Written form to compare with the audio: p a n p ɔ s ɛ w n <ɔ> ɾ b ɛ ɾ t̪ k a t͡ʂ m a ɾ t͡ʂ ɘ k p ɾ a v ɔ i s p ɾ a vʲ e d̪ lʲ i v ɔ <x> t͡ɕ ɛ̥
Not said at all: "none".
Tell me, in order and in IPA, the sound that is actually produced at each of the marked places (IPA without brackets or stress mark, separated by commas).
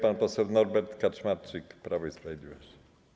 ɔ, ɕ